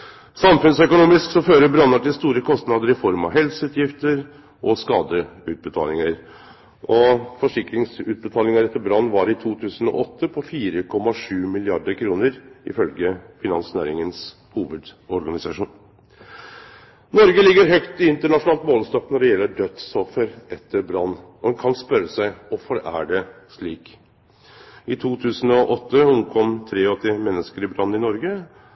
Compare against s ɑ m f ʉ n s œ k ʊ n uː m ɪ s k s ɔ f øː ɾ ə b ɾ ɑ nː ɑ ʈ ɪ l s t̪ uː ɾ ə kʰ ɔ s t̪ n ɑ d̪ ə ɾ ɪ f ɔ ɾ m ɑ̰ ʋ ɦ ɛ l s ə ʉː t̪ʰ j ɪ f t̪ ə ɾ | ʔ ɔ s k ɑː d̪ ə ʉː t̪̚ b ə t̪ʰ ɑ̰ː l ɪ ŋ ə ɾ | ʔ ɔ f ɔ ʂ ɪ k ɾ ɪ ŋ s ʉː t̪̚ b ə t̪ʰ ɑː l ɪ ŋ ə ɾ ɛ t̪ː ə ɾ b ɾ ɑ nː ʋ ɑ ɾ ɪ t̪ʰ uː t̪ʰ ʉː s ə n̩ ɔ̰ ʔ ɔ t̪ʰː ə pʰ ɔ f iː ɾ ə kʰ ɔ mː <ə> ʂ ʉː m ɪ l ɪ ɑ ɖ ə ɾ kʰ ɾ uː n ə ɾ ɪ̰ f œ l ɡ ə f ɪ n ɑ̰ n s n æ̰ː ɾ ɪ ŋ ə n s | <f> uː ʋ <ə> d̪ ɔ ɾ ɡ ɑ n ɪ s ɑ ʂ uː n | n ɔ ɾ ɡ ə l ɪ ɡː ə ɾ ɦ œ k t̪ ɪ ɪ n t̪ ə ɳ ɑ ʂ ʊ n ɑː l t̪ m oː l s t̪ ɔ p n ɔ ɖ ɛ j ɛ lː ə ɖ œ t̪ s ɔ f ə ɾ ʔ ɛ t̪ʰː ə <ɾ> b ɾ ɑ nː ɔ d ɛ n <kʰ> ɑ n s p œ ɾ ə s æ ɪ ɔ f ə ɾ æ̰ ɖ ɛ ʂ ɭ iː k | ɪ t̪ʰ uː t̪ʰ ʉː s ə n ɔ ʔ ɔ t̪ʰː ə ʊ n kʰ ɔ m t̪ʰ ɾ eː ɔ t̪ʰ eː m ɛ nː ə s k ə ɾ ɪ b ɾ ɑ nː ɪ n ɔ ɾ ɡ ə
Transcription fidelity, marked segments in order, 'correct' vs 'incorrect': incorrect: ɑ, incorrect: h, correct, correct, correct

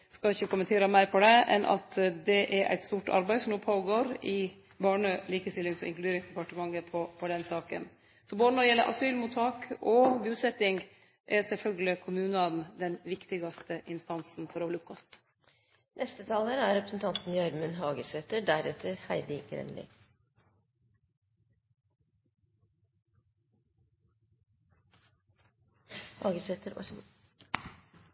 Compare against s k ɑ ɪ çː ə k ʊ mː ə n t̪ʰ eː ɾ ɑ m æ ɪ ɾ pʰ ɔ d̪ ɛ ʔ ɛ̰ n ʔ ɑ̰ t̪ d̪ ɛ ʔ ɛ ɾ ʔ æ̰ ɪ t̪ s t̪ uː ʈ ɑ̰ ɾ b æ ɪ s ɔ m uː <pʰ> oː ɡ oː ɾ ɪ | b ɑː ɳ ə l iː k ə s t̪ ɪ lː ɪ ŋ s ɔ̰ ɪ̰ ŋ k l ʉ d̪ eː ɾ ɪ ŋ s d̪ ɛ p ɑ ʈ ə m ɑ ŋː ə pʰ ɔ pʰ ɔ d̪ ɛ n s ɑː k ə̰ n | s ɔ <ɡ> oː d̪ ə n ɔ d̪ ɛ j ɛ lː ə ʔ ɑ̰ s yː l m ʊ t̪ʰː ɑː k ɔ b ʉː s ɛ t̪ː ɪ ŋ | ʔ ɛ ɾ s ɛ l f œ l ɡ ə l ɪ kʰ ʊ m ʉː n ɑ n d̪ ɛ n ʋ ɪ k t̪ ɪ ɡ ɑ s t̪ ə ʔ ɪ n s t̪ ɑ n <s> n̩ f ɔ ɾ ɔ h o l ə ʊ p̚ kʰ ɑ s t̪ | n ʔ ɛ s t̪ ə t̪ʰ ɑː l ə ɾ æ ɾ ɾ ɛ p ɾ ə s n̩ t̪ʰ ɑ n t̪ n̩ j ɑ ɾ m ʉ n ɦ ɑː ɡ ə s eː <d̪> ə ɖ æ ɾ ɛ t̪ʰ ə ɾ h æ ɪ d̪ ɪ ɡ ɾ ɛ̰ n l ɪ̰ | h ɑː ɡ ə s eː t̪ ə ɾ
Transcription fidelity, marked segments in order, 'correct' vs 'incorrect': correct, incorrect: b, correct, incorrect: t̪

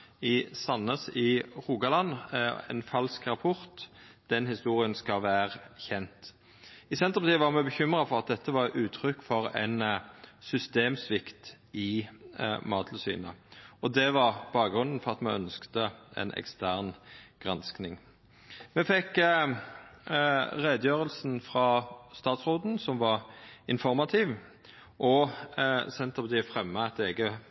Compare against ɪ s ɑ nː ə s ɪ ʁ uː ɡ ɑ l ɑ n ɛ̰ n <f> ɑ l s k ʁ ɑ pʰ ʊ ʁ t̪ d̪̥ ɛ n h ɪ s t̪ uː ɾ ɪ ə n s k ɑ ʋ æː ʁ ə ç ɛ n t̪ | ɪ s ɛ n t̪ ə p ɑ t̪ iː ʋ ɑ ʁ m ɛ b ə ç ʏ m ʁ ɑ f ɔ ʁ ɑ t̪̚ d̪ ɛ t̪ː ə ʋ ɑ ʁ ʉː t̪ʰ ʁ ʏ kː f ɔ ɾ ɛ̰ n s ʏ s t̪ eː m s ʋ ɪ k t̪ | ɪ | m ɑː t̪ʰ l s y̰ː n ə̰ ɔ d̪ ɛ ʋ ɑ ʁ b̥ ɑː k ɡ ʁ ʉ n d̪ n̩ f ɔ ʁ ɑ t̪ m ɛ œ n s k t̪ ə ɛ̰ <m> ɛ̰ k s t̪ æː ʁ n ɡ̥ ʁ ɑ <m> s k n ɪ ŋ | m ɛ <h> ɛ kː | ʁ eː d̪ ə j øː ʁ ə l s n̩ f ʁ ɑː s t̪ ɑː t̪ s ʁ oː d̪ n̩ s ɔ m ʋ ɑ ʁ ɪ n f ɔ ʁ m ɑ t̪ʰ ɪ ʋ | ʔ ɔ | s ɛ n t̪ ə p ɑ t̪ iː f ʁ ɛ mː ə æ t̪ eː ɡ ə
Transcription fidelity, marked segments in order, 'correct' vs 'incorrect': correct, incorrect: n, incorrect: n, incorrect: f

